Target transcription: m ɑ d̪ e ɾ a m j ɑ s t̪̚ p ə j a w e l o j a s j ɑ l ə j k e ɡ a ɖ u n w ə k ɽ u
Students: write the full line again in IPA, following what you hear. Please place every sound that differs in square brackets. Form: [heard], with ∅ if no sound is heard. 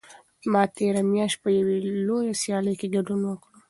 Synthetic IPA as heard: m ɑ [t̪] e ɾ a m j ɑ [ʃ] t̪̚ p ə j a w e l o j a s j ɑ l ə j k e ɡ a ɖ u n w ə k ɽ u